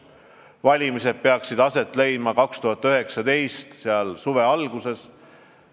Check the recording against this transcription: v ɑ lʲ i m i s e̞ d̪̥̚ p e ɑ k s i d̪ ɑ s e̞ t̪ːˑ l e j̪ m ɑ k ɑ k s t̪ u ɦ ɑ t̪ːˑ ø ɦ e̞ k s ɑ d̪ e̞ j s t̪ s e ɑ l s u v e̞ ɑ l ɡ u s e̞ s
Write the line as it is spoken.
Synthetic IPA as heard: v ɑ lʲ i m i s e̞ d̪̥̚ p e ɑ k s i d̪ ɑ s e̞ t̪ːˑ l e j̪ m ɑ k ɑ k s t̪ u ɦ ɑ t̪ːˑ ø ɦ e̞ k s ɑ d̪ e̞ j s t̪ s e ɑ l s u v e̞ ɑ l ɡ u s e̞ s